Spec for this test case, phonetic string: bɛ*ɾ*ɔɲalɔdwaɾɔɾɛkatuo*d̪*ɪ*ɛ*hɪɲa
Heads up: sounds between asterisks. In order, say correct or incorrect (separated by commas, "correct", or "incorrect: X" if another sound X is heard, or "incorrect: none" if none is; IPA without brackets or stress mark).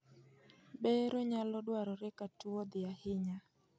correct, correct, incorrect: a